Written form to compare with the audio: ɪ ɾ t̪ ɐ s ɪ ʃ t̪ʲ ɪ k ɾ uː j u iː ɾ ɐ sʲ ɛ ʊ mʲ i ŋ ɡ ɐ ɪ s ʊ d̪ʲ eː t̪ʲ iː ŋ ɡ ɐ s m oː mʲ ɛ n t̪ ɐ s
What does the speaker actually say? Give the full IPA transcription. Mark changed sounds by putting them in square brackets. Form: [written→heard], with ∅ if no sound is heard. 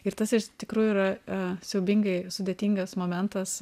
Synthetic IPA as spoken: ɪ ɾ t̪ ɐ s ɪ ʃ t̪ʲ ɪ k ɾ uː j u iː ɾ ɐ sʲ ɛ ʊ [mʲ→bʲ] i ŋ ɡ ɐ ɪ s ʊ d̪ʲ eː t̪ʲ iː ŋ ɡ ɐ s m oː mʲ ɛ n t̪ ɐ s